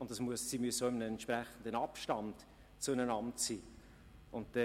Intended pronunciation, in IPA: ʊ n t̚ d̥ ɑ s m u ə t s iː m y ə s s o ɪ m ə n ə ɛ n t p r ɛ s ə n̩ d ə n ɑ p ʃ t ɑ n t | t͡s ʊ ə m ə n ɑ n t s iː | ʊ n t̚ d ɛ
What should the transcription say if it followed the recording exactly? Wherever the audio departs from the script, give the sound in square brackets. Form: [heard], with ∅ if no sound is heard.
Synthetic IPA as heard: ʊ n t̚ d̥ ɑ s m u ə [s] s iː m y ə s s o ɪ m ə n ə ɛ n t p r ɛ [χ] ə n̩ d ə n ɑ p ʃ t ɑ n t | t͡s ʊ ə [n] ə n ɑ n t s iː | ʊ n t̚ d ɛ